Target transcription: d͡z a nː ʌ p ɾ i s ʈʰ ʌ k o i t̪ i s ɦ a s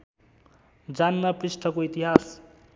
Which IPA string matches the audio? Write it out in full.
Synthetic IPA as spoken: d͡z a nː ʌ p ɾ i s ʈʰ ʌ k o i t̪ i ɦ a s